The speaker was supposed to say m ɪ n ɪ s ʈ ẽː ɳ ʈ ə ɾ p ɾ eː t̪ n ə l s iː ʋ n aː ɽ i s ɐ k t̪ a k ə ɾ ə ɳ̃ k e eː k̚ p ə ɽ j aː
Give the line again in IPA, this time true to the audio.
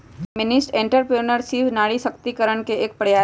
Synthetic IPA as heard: m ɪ n ɪ s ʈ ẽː ɳ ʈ ə ɾ p ɾ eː n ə ɾ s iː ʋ n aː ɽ i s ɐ k t̪ i k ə ɾ ə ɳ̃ k e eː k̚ p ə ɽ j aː